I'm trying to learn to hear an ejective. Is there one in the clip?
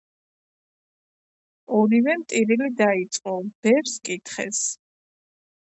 yes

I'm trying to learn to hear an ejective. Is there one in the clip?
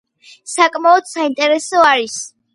yes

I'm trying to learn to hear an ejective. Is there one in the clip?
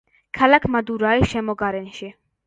no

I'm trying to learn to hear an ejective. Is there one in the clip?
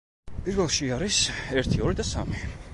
no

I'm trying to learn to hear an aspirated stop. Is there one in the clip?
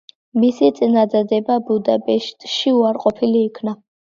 yes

